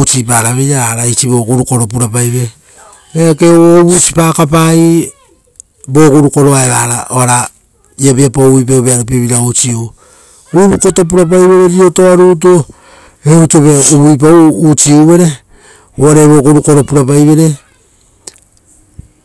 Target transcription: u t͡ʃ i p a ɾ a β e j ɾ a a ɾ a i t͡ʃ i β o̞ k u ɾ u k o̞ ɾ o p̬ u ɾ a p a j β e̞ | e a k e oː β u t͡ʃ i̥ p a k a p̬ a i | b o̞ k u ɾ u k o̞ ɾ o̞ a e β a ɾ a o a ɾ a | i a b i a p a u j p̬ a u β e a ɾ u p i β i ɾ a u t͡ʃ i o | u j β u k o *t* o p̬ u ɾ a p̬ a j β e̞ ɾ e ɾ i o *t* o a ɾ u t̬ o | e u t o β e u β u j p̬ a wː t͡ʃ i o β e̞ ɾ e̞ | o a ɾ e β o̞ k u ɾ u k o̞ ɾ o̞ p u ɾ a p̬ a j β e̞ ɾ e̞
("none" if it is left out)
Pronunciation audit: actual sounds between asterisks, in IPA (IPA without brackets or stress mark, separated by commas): t, t